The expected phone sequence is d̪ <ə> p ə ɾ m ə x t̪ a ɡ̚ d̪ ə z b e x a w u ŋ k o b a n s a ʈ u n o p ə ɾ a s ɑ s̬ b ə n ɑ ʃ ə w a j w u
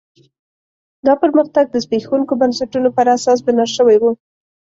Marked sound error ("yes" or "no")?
yes